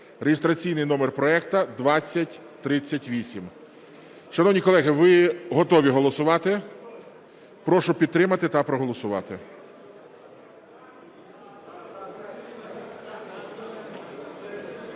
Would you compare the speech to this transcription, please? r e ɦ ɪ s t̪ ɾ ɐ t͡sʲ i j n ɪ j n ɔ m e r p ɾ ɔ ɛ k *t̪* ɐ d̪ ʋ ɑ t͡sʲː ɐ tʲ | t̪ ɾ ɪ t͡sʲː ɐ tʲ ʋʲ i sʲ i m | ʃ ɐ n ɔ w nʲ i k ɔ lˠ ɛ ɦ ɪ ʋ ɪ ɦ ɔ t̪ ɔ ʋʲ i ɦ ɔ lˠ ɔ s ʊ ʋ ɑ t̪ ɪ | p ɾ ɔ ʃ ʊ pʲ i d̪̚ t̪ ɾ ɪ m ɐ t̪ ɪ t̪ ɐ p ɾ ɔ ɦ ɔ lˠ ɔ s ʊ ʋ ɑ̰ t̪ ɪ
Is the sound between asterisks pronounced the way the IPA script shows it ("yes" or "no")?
yes